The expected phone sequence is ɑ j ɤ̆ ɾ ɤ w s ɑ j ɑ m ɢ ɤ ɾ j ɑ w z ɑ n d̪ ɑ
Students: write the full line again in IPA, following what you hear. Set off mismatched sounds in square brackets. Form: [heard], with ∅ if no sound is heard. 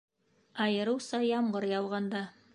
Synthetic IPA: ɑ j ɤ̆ ɾ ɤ w s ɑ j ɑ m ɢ ɤ ɾ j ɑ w [ʁ] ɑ n d̪ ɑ